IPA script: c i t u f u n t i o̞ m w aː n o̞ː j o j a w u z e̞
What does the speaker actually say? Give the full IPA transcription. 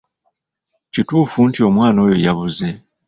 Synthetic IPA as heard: c i t uː f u n t i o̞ m w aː n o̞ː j o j a β u z e̞